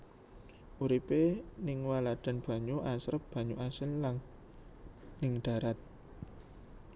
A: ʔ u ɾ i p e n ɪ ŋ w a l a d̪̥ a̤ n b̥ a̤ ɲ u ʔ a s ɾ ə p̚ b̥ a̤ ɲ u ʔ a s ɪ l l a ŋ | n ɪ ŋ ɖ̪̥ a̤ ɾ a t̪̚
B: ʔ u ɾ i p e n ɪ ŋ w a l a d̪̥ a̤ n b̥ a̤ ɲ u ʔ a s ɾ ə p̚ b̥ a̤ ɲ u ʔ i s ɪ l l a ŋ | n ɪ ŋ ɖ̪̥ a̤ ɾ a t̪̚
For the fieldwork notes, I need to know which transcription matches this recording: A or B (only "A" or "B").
A